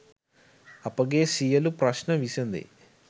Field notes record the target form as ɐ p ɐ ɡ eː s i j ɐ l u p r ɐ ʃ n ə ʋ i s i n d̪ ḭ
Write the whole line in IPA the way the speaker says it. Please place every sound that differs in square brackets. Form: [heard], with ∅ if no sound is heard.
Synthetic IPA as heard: ɐ p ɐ ɡ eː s i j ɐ l u p [ɾ] ɐ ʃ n [ɐ] ʋ i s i n d̪ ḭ